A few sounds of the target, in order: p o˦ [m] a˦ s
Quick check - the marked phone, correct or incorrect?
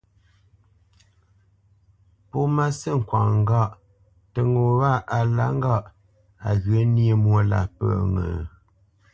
correct